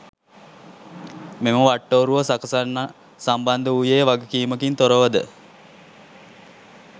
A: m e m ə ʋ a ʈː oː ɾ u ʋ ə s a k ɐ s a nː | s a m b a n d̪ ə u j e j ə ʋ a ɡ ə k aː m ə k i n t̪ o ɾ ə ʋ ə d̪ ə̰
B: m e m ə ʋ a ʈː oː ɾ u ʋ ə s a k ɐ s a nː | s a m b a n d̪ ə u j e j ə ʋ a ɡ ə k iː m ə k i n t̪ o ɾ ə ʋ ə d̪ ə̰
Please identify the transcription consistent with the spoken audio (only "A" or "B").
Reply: B